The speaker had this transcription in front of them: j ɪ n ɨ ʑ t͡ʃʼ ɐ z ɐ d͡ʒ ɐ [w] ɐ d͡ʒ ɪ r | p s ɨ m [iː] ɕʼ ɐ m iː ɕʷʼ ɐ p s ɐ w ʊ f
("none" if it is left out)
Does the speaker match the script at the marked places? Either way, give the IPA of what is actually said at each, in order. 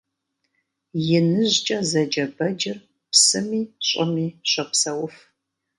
b, iː

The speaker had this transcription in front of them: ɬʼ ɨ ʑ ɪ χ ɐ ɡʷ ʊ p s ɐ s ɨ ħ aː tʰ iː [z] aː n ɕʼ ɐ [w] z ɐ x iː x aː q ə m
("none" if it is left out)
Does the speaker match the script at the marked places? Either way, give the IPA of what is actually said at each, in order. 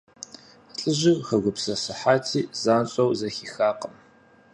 z, w

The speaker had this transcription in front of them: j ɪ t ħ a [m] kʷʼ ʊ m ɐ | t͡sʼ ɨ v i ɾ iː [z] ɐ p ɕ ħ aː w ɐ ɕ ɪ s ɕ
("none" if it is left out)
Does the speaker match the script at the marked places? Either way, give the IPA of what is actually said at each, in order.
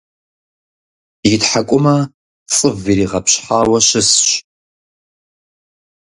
none, ʁ

